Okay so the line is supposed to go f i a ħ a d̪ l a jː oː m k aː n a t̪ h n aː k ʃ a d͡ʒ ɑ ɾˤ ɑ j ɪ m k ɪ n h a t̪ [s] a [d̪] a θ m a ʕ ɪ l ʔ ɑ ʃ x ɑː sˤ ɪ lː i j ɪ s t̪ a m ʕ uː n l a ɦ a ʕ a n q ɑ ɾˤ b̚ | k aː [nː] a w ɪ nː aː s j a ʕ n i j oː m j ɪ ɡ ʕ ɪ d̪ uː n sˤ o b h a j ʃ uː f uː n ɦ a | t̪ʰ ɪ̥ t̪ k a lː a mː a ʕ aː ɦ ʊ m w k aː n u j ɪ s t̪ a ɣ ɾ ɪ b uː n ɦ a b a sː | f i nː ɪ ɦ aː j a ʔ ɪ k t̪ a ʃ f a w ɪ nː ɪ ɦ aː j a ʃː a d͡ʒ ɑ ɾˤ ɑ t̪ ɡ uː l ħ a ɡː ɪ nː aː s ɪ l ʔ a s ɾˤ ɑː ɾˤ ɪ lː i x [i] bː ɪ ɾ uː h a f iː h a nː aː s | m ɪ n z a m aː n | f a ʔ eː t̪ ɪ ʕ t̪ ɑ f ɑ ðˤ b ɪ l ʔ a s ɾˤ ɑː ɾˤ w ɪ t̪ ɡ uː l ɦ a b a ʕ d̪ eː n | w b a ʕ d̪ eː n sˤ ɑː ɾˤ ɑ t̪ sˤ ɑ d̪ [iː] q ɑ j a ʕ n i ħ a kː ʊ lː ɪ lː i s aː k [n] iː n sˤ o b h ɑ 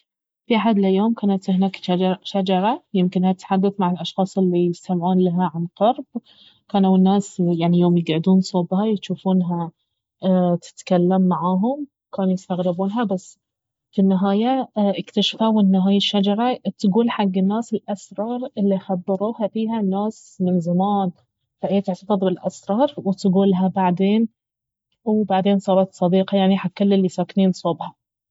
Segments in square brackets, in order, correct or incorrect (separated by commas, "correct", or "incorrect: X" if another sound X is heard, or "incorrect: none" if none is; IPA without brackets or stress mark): incorrect: ħ, incorrect: d̪ː, incorrect: n, incorrect: a, correct, correct